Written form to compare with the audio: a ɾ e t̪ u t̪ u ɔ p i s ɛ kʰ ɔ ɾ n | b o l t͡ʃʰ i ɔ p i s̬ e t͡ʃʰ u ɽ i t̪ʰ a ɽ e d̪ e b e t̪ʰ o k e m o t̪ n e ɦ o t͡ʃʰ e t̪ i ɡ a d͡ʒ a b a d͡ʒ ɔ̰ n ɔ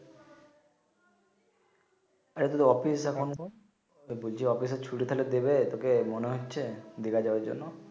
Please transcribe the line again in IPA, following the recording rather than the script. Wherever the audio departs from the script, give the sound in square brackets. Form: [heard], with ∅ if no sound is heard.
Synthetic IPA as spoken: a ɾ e t̪ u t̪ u ɔ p i s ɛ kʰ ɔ [∅] n | b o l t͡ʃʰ i ɔ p i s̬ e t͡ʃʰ u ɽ i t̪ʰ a [l] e d̪ e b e [t̪] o k e m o [∅] n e ɦ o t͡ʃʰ e [d̪] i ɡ a d͡ʒ a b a d͡ʒ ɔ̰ n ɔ